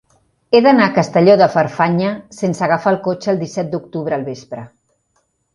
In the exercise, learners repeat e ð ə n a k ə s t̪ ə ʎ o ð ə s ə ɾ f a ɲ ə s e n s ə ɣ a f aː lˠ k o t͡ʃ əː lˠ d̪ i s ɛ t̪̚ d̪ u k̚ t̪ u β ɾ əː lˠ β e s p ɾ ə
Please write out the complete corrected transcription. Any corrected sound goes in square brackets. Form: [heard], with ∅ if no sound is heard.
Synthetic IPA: e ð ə n a k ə s t̪ ə ʎ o ð ə [f] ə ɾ f a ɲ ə s e n s ə ɣ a f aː lˠ k o t͡ʃ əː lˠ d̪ i s ɛ t̪̚ d̪ u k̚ t̪ u β ɾ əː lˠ β e s p ɾ ə